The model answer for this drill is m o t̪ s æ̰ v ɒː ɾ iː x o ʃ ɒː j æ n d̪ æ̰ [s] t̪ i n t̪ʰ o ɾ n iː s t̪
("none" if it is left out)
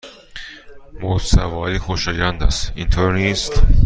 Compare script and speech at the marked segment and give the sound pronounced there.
s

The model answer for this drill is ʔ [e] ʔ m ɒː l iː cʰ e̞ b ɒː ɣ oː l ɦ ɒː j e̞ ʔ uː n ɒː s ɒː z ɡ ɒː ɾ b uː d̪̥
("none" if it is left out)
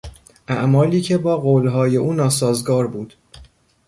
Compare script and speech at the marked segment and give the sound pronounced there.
æ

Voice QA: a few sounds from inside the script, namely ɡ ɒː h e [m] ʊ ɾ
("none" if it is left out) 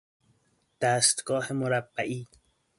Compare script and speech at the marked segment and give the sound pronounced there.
m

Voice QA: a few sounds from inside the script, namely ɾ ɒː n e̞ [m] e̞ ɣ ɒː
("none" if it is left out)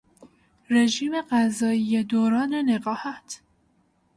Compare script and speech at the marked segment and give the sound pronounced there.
n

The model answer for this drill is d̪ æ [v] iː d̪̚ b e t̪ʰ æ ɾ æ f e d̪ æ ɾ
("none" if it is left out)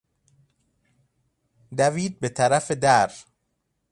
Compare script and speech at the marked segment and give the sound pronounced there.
v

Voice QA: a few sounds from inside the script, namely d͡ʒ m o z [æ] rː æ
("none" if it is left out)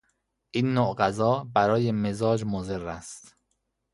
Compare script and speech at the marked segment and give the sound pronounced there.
e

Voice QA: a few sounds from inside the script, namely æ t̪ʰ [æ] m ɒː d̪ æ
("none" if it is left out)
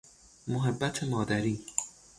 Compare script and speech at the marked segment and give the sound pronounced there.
e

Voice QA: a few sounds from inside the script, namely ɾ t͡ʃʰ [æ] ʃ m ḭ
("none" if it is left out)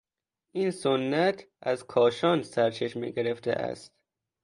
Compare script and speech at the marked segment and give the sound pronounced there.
e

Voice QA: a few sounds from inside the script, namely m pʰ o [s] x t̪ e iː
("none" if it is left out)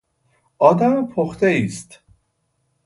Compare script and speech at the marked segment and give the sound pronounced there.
none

